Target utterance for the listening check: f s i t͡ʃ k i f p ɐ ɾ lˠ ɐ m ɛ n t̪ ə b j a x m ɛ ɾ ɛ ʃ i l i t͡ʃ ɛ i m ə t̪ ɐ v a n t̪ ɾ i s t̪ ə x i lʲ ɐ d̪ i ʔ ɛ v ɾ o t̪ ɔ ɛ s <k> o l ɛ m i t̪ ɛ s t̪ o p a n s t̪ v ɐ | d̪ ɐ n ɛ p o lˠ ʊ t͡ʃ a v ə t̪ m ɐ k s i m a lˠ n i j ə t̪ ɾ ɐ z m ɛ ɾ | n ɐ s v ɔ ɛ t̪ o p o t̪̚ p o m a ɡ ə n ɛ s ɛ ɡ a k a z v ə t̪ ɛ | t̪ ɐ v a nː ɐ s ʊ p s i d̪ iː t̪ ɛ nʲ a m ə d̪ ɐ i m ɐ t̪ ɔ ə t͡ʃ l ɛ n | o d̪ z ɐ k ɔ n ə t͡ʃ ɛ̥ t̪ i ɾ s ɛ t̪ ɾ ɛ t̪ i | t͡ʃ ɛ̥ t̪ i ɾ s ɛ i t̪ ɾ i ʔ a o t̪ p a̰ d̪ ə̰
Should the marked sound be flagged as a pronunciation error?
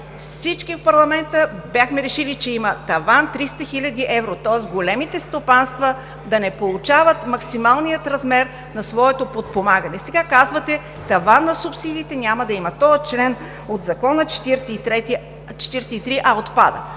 yes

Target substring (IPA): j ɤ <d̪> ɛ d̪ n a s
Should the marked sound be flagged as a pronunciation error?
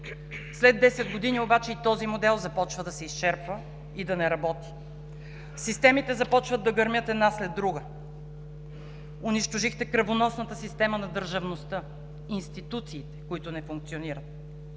yes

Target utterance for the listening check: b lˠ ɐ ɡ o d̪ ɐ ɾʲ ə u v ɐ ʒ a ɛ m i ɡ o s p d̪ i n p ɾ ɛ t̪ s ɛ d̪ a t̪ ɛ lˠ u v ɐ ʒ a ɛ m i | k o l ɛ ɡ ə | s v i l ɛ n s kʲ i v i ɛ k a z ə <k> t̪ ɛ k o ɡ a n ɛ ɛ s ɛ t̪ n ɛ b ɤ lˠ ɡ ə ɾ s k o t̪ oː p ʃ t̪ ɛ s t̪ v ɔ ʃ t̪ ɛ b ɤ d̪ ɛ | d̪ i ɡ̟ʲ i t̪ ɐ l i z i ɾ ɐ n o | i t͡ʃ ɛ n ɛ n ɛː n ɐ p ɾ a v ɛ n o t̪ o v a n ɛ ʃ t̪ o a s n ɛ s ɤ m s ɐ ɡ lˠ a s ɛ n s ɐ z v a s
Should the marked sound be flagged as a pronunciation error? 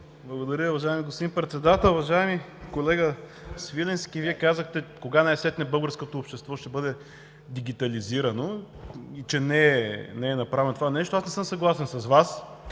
yes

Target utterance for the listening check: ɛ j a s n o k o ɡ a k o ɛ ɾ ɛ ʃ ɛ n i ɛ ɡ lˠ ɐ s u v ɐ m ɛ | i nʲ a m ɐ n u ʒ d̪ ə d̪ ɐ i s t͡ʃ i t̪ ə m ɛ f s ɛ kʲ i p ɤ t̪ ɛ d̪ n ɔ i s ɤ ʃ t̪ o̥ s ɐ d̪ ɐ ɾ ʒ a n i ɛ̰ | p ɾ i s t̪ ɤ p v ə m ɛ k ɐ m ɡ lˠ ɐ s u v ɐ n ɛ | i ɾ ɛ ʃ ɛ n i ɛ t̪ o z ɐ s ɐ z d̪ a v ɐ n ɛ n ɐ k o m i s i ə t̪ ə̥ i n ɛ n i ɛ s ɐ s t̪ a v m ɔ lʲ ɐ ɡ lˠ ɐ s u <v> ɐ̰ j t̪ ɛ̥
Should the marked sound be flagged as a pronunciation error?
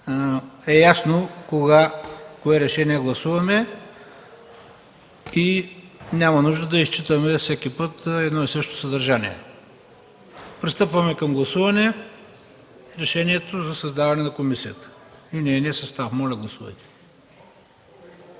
no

